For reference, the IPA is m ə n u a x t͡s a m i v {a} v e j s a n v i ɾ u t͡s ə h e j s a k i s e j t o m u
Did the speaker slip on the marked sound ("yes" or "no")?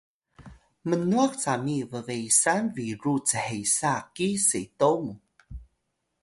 yes